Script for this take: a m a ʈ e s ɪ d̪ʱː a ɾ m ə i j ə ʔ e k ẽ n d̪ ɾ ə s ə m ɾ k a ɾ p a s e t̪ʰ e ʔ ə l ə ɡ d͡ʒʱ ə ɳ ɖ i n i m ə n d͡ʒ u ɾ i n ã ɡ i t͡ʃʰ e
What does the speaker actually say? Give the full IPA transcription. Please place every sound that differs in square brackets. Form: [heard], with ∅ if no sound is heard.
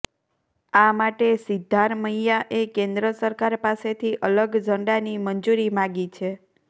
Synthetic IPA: a m a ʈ e s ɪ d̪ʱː a ɾ m ə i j [a] ʔ e k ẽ n d̪ ɾ ə s ə [∅] ɾ k a ɾ p a s e t̪ʰ [i] ʔ ə l ə ɡ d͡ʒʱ ə ɳ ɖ [a] n i m ə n d͡ʒ u ɾ i [m] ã ɡ i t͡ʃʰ e